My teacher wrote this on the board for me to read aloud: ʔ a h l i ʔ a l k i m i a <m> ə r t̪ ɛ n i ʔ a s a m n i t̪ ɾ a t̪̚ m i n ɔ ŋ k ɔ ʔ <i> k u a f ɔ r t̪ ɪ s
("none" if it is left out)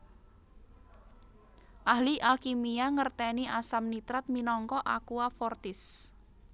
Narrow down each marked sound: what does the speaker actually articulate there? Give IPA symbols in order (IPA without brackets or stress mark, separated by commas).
ŋ, a